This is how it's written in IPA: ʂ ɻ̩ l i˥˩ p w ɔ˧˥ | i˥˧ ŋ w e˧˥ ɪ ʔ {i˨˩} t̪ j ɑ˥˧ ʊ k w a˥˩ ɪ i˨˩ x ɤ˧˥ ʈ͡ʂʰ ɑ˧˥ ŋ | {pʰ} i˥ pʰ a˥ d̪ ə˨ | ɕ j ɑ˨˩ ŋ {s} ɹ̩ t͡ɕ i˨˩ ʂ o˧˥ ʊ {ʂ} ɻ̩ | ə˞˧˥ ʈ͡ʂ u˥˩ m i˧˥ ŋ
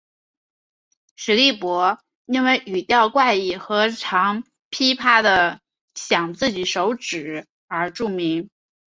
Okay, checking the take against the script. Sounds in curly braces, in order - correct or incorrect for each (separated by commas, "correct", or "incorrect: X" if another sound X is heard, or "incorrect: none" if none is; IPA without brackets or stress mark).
incorrect: y˨˩, correct, incorrect: t͡s, incorrect: ʈ͡ʂ